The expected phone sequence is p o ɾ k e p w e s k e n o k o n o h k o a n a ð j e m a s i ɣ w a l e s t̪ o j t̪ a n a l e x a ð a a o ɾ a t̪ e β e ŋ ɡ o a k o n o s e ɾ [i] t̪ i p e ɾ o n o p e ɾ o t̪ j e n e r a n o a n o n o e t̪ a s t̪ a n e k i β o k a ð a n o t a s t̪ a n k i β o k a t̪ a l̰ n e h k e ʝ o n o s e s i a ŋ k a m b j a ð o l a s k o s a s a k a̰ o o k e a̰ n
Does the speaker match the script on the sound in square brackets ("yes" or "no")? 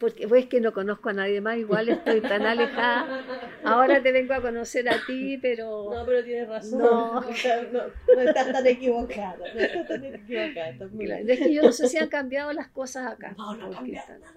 no